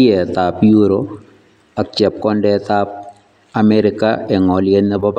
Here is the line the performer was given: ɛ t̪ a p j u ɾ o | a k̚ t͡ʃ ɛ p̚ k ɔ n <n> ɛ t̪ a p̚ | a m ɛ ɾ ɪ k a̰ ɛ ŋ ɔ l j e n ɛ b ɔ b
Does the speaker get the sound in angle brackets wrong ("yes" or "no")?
yes